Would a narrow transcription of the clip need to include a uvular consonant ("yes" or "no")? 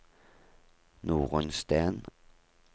yes